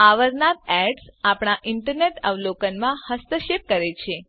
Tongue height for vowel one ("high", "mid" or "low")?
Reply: low